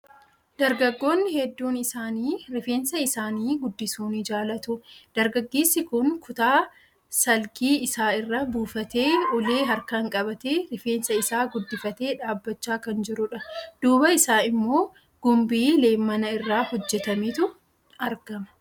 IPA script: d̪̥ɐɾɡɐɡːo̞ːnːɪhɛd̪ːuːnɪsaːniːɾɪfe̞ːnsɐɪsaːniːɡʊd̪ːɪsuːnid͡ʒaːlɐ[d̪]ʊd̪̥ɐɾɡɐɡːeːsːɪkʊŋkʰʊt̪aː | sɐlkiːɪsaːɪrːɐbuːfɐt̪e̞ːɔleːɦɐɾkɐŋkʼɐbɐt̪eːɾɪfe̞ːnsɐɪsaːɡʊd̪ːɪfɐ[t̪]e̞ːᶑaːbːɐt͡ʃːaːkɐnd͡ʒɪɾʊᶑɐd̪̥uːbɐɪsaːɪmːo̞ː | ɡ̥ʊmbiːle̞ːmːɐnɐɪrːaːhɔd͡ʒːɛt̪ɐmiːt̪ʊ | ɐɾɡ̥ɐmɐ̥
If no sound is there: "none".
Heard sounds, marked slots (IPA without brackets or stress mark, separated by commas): t̪, t̪